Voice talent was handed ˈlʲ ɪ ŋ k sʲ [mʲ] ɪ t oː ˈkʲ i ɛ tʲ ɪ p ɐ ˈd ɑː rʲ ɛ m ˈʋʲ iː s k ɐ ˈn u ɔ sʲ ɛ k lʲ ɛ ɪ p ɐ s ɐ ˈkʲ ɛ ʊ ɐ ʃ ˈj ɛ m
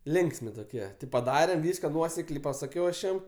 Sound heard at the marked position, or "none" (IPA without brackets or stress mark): mʲ